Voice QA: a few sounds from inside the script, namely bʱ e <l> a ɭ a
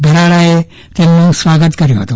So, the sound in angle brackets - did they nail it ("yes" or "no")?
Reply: no